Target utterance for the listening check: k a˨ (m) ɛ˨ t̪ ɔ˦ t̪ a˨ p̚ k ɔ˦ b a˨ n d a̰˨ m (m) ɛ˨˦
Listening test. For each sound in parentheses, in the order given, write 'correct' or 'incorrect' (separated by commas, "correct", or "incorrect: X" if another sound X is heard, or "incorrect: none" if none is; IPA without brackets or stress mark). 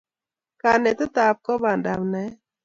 incorrect: n, incorrect: n